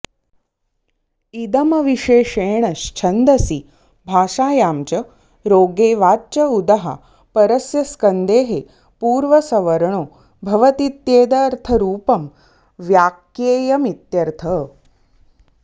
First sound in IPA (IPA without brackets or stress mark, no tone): i